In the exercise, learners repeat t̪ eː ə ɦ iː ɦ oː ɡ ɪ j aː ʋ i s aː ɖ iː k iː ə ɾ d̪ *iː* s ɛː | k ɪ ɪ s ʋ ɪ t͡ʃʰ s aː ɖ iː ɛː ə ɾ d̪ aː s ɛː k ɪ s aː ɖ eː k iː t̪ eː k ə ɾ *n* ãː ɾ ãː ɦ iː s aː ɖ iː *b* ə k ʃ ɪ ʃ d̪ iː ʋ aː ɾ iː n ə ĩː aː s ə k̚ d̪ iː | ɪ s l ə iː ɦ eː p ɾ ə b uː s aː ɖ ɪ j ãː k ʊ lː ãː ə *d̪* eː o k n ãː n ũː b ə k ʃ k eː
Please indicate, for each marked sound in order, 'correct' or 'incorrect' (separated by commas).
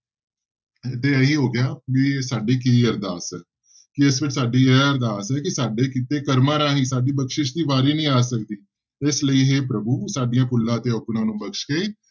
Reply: incorrect, incorrect, correct, incorrect